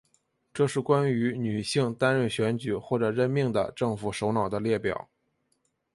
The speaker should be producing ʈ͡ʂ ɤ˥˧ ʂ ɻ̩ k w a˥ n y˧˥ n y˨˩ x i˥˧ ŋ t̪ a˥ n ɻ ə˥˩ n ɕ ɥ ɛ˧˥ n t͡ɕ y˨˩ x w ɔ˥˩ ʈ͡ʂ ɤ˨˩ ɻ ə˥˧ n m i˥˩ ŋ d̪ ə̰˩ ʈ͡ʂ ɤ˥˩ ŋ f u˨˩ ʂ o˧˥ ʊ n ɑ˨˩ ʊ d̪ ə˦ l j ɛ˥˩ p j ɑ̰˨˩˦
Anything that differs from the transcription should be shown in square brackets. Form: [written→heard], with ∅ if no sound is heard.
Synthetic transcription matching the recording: ʈ͡ʂ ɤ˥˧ ʂ ɻ̩ k w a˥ n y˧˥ n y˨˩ [x→ɕ] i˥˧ ŋ t̪ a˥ n ɻ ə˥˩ n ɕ ɥ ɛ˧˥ n t͡ɕ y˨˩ x w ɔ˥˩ ʈ͡ʂ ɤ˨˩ ɻ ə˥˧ n m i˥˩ ŋ d̪ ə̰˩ ʈ͡ʂ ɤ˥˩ ŋ f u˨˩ ʂ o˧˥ ʊ n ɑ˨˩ ʊ d̪ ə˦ l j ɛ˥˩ p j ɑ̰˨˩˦

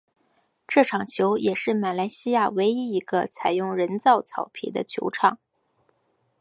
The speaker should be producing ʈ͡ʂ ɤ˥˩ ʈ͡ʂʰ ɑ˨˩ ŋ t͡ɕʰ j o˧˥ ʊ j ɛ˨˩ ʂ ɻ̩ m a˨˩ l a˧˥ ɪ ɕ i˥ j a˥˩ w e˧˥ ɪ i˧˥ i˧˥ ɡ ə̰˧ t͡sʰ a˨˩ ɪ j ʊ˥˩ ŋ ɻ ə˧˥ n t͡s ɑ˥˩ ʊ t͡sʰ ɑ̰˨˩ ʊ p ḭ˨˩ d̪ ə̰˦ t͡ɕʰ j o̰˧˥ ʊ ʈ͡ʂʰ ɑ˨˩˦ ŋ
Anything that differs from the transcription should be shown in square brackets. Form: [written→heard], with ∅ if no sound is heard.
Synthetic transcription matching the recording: ʈ͡ʂ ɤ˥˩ ʈ͡ʂʰ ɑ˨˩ ŋ t͡ɕʰ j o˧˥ ʊ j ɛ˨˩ ʂ ɻ̩ m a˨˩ l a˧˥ ɪ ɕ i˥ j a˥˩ w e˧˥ ɪ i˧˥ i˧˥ ɡ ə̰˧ t͡sʰ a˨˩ ɪ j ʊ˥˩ ŋ ɻ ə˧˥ n t͡s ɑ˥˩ ʊ t͡sʰ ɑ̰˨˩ ʊ [p→pʰ] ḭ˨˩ d̪ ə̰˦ t͡ɕʰ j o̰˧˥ ʊ ʈ͡ʂʰ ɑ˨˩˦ ŋ

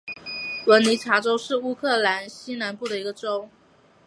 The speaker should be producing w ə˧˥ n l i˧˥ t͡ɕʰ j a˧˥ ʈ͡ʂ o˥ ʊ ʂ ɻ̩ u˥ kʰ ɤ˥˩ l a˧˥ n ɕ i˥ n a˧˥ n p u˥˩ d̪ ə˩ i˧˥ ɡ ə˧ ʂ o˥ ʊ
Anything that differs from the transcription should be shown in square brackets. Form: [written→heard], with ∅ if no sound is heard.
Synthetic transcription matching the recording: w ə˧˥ n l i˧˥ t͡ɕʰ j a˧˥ ʈ͡ʂ o˥ ʊ ʂ ɻ̩ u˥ kʰ ɤ˥˩ l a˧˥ n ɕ i˥ n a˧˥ n p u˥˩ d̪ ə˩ i˧˥ ɡ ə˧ [ʂ→ʈ͡ʂ] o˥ ʊ

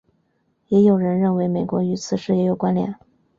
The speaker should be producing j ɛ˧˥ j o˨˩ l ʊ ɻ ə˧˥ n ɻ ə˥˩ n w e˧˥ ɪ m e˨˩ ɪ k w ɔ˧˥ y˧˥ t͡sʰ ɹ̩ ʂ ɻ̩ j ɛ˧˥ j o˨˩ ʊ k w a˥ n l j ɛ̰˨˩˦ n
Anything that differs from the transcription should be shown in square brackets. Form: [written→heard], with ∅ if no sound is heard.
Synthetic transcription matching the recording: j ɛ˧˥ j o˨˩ [l→∅] ʊ ɻ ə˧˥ n ɻ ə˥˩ n w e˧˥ ɪ m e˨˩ ɪ k w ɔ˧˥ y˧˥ t͡sʰ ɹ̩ ʂ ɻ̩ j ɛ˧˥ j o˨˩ ʊ k w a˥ n l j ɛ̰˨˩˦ n

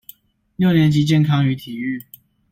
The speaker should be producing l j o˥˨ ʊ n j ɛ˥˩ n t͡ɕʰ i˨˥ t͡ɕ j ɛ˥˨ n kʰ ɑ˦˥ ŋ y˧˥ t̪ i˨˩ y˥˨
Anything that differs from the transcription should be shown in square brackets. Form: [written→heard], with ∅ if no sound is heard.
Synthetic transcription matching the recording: l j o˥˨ ʊ n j [ɛ˥˩→ɛ˨˦] n [t͡ɕʰ→t͡ɕ] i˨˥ t͡ɕ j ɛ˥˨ n kʰ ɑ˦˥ ŋ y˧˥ [t̪→t̪ʰ] i˨˩ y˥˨

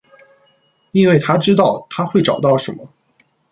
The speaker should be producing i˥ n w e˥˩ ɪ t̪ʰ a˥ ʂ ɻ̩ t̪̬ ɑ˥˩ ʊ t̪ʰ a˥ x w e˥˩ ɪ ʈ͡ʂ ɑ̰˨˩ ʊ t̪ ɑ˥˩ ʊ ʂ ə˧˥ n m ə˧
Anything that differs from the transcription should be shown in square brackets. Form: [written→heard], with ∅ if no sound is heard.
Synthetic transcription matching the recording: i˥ n w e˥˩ ɪ t̪ʰ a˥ [ʂ→ʈ͡ʂ] ɻ̩ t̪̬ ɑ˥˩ ʊ t̪ʰ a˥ x w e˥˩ ɪ ʈ͡ʂ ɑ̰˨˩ ʊ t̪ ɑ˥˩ ʊ ʂ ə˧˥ n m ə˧

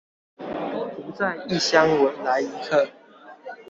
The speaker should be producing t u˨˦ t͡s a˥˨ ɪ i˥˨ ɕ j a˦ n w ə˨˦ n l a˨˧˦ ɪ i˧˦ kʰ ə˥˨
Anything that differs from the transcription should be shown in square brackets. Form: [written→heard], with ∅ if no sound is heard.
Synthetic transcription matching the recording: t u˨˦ t͡s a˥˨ ɪ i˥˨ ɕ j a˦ [n→ŋ] w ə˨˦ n l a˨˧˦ ɪ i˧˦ kʰ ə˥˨

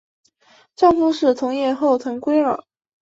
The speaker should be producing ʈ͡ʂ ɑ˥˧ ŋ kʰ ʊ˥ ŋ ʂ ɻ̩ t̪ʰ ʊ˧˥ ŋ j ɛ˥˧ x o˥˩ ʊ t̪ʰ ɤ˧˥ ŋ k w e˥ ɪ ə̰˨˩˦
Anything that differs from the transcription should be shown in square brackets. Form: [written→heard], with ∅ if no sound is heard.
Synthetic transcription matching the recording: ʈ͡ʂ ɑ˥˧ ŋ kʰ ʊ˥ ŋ ʂ ɻ̩ t̪ʰ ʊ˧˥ ŋ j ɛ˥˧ x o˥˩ ʊ t̪ʰ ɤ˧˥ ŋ k w e˥ ɪ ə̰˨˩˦

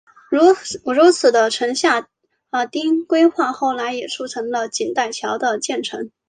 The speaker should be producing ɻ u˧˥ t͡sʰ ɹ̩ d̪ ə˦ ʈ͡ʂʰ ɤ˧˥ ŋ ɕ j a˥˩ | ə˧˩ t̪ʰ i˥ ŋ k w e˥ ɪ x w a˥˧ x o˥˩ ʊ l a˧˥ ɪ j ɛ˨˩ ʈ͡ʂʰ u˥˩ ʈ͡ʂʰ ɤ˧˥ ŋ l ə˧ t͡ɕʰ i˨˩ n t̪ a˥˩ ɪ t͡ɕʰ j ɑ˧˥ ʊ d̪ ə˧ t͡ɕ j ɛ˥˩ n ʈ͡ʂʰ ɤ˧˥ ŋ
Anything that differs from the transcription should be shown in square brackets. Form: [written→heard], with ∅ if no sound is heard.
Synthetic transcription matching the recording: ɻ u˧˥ t͡sʰ ɹ̩ d̪ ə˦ ʈ͡ʂʰ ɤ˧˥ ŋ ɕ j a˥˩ | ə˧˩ [t̪ʰ→t̪] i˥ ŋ k w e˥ ɪ x w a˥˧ x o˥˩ ʊ l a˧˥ ɪ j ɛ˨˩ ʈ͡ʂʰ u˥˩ ʈ͡ʂʰ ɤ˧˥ ŋ l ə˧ [t͡ɕʰ→t͡ɕ] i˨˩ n t̪ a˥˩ ɪ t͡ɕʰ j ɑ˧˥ ʊ d̪ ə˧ t͡ɕ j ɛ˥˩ n ʈ͡ʂʰ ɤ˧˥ ŋ

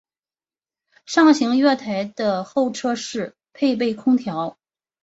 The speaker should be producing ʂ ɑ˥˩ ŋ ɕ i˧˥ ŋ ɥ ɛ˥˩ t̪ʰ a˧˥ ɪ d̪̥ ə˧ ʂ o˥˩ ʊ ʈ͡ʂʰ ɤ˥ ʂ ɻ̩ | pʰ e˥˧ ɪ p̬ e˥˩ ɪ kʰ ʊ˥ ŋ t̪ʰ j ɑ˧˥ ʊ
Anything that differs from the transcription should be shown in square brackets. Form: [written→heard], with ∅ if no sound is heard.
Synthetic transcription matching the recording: ʂ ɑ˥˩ ŋ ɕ i˧˥ ŋ ɥ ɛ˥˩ t̪ʰ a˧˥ ɪ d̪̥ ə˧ [ʂ→x] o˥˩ ʊ ʈ͡ʂʰ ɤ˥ ʂ ɻ̩ | pʰ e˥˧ ɪ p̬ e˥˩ ɪ kʰ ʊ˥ ŋ t̪ʰ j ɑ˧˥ ʊ

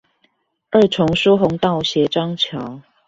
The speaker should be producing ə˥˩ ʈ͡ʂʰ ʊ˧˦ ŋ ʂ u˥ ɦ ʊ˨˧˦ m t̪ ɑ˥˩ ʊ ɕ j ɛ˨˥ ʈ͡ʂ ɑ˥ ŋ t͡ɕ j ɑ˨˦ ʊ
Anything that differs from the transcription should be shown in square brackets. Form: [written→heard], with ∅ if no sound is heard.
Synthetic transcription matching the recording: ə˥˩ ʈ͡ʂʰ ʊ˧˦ ŋ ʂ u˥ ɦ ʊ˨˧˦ [m→ŋ] t̪ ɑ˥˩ ʊ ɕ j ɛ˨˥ ʈ͡ʂ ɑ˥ ŋ [t͡ɕ→t͡ɕʰ] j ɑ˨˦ ʊ

